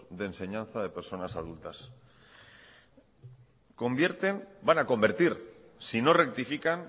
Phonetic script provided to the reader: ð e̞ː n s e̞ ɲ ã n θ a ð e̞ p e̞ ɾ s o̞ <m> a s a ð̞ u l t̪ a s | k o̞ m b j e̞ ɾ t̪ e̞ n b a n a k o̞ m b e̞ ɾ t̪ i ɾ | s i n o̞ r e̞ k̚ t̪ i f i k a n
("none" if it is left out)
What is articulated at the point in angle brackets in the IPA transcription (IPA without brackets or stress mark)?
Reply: n